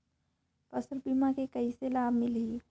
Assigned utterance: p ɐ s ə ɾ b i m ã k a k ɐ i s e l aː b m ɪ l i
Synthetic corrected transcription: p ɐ s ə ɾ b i m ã k e k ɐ i s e l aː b m ɪ l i